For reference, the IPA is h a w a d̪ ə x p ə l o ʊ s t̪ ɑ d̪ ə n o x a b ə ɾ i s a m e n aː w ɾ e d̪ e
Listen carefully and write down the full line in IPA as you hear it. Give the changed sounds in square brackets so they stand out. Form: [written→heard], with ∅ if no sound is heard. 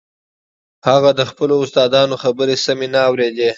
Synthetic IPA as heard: h a [w→ɣ] a d̪ ə x p ə l o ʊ s t̪ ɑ d̪ [ə→ɑ] n o x a b ə ɾ [i→e] s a m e n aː w ɾ e d̪ e